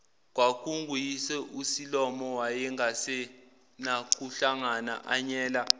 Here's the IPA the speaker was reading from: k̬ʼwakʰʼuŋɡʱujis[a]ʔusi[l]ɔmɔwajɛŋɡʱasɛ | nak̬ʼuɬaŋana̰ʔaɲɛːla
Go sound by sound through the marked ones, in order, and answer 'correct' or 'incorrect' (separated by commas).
incorrect, correct